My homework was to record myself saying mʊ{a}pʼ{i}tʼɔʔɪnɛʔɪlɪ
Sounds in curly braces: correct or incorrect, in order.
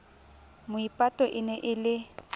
incorrect: i, incorrect: a

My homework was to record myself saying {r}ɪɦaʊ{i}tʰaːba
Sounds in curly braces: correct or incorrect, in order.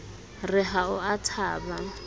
correct, incorrect: a

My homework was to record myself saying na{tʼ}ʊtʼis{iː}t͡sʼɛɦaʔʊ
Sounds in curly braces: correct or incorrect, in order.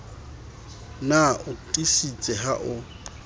incorrect: none, incorrect: i

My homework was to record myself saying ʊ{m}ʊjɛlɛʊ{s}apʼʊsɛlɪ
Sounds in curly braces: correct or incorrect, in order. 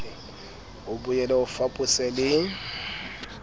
incorrect: b, incorrect: f

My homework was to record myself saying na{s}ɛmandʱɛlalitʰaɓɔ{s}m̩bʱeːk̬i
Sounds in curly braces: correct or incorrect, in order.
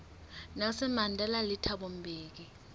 correct, incorrect: none

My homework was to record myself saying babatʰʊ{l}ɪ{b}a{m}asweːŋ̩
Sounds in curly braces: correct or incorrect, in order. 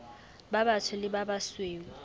correct, correct, incorrect: b

